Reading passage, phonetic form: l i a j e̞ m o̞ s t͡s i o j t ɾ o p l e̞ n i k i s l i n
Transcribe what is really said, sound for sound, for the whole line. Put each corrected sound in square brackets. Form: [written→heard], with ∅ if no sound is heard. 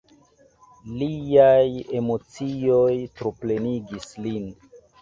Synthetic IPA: l i a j e̞ m o̞ [s→∅] t͡s i o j t ɾ o p l e̞ n i [k→ɡ] i s l i n

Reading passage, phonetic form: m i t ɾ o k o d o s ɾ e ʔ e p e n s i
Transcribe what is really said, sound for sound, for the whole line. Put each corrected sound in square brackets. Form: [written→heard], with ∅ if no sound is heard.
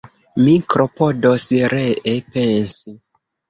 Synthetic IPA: m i [t→k] ɾ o [k→p] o d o s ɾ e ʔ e p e n s i

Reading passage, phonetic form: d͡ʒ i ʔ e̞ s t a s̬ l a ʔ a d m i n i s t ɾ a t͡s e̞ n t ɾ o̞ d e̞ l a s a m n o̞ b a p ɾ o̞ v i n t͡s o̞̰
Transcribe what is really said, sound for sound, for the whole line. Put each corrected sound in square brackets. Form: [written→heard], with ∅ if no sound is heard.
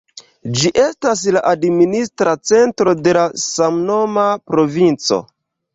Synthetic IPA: d͡ʒ i ʔ e̞ s t a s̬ l a ʔ a d m i n i s t ɾ a t͡s e̞ n t ɾ o̞ d e̞ l a s a m n o̞ [b→m] a p ɾ o̞ v i n t͡s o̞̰

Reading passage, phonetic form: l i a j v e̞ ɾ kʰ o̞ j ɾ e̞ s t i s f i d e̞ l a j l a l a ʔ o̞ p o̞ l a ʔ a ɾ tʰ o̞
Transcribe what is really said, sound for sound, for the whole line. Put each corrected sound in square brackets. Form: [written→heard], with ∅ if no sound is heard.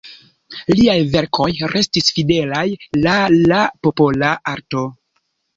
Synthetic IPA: l i a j v e̞ ɾ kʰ o̞ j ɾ e̞ s t i s f i d e̞ l a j l a l a [ʔ→p] o̞ p o̞ l a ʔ a ɾ [tʰ→t] o̞

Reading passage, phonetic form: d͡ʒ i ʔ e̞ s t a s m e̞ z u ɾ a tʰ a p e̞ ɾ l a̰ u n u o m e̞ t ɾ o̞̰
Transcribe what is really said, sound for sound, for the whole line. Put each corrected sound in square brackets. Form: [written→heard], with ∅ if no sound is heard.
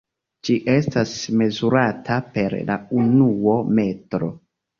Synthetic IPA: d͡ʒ i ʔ e̞ s t a s m e̞ z u ɾ a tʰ a p e̞ ɾ l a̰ u n u o m e̞ t ɾ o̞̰

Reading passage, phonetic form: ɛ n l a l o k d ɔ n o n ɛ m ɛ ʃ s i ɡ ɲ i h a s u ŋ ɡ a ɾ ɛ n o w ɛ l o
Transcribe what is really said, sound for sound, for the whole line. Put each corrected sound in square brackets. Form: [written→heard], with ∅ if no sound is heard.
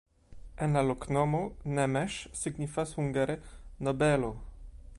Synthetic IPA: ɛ n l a l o k [d→n] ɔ [n→m] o n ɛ m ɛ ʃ s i ɡ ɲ i [h→f] a s u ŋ ɡ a ɾ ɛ n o [w→b] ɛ l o

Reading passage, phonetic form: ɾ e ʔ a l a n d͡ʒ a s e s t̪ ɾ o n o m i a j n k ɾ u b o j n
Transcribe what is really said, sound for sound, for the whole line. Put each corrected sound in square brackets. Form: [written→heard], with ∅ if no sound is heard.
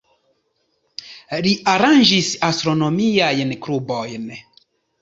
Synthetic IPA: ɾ [e→i] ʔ a [l→ɾ] a n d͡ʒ [a→i] s [e→a] s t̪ ɾ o n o m i a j n k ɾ u b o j n

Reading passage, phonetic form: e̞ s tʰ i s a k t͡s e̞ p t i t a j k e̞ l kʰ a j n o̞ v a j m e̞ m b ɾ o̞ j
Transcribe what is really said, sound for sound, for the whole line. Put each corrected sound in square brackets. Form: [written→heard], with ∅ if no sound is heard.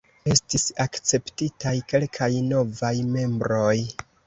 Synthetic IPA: e̞ s [tʰ→t] i s a k t͡s e̞ p t i t a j k e̞ l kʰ a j n o̞ v a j m e̞ m b ɾ o̞ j

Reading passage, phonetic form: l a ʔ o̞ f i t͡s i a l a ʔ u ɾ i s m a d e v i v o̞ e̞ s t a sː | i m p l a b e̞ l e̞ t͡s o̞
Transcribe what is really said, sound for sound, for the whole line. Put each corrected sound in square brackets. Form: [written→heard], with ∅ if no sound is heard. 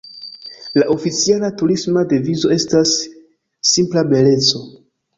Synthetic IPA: l a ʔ o̞ f i t͡s i a l a [ʔ→t] u ɾ i s m a d e v i [v→z] o̞ e̞ s t a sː | i m p l a b e̞ l e̞ t͡s o̞

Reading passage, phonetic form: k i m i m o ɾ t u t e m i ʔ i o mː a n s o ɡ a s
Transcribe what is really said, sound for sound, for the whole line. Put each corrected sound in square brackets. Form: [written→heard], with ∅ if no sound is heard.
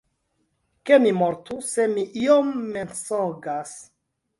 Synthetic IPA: k [i→e] m i m o ɾ t u [t→s] e m i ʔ i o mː [a→e] n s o ɡ a s

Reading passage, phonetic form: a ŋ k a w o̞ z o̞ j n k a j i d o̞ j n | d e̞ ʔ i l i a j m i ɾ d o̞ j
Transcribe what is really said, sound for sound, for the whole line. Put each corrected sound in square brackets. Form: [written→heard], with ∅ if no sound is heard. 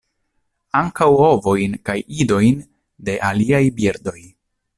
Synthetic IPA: a ŋ k a w o̞ [z→v] o̞ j n k a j i d o̞ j n | d e̞ ʔ [i→a] l i a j [m→b] i ɾ d o̞ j

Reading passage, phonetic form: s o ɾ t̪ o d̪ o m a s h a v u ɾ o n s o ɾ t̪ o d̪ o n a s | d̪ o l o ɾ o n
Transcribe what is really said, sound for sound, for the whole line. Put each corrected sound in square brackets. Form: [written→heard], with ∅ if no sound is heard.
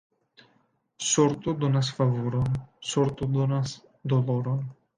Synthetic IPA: s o ɾ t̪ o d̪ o [m→n] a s [h→f] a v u ɾ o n s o ɾ t̪ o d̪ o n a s | d̪ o l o ɾ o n

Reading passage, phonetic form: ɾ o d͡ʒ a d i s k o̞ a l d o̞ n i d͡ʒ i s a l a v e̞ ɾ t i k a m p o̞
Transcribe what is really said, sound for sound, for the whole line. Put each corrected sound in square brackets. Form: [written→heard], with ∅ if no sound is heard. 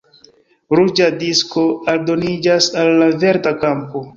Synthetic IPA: ɾ [o→u] d͡ʒ a d i s k o̞ a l d o̞ n i d͡ʒ [i→a] s a [l→lː] a v e̞ ɾ t [i→a] k a m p o̞

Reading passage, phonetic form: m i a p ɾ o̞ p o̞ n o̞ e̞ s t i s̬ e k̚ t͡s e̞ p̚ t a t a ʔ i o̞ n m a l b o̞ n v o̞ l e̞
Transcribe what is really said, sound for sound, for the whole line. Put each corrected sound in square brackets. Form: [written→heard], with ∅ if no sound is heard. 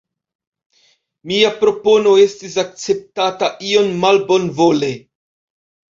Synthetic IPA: m i a p ɾ o̞ p o̞ n o̞ e̞ s t i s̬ [e→a] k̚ t͡s e̞ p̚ t a t a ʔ i o̞ n m a l b o̞ n v o̞ l e̞

